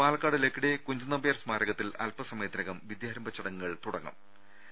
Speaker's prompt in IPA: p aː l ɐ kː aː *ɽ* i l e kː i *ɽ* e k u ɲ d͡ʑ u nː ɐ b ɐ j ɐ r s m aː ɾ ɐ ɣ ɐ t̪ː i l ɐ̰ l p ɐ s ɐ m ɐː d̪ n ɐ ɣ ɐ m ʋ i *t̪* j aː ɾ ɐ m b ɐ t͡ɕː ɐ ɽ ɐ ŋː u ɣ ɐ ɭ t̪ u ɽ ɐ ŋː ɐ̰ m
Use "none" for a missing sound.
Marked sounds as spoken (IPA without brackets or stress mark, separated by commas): ɽ, ɽ, d̪